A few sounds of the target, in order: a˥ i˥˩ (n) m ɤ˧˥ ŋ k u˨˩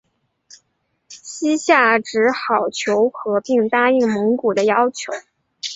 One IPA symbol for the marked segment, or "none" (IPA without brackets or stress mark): ŋ